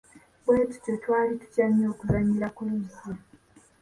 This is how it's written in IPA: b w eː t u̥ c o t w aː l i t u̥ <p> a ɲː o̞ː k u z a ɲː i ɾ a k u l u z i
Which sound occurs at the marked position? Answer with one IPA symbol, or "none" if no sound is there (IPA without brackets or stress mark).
c